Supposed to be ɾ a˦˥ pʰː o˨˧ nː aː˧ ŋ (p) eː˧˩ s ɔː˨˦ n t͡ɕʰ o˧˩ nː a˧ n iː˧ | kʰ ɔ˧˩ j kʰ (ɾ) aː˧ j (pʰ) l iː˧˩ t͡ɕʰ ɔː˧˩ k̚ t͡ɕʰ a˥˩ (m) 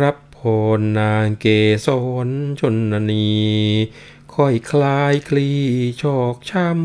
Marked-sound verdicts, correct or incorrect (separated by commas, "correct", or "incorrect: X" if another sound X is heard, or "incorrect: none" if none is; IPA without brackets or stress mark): incorrect: k, incorrect: l, incorrect: kʰ, correct